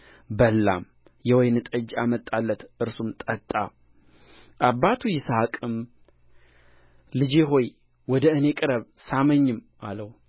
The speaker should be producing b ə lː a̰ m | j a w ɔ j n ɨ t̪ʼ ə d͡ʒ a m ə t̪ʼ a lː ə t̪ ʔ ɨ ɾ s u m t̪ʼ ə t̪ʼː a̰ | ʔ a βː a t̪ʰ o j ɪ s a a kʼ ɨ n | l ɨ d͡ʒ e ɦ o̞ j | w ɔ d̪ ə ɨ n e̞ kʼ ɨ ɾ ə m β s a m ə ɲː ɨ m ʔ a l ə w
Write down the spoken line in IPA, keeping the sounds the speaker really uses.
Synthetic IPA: b ə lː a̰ m | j ɛ w ɔ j n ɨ t̪ʼ ə d͡ʒ a m ə t̪ʼ a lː ə t̪ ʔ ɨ ɾ s u m t̪ʼ ə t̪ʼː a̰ | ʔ a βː a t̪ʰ u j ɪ s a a kʼ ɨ m | l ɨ d͡ʒ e ɦ o̞ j | w ɔ d̪ ə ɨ n e̞ kʼ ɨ ɾ ə β s a m ə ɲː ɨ m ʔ a l ə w